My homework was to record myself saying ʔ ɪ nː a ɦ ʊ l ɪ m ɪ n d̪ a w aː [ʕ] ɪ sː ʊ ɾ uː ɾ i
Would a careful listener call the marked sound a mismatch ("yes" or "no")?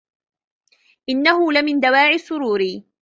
no